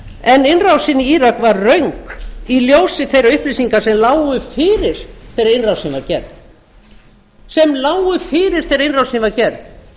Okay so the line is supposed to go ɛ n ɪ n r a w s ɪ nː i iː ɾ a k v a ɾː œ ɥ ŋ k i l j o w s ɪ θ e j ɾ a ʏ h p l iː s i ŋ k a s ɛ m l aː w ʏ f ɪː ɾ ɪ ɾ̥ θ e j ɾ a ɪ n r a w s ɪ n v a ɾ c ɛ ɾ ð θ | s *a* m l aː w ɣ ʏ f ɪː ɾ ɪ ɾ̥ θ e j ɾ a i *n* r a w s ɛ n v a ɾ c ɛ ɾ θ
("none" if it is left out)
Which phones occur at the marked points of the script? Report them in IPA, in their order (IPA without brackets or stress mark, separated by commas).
ɛ, n